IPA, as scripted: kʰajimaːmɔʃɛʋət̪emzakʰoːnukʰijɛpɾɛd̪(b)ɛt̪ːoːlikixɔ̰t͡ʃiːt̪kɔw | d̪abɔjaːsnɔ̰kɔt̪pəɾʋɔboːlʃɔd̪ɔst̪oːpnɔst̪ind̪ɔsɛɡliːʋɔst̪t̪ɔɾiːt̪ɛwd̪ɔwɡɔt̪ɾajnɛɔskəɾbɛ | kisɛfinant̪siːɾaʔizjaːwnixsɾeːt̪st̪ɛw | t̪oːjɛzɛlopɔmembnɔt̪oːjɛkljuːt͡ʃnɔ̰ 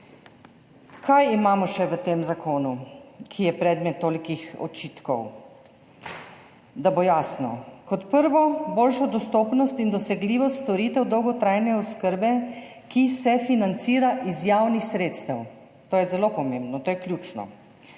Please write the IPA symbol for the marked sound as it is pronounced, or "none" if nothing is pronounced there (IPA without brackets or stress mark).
m